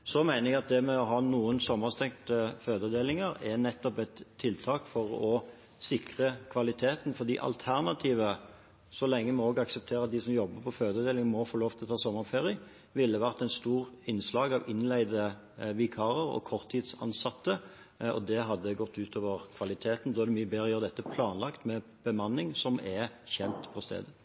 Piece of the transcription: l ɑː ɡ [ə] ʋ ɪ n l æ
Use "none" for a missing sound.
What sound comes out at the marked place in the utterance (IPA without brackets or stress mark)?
ɑ